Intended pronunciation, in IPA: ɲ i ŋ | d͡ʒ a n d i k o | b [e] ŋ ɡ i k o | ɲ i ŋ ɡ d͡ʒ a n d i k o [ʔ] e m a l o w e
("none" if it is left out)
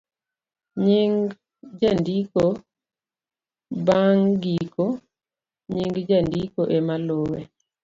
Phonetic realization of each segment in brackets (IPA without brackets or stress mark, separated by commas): a, ʔ